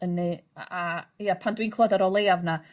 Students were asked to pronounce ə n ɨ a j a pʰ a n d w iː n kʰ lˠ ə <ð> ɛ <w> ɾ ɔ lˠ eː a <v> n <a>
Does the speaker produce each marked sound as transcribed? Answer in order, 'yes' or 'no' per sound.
yes, no, yes, yes

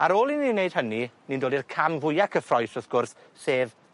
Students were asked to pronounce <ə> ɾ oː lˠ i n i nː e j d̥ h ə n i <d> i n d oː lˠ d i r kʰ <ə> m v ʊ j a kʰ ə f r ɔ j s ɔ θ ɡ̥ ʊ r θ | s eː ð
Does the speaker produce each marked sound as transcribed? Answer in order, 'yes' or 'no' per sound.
no, no, no

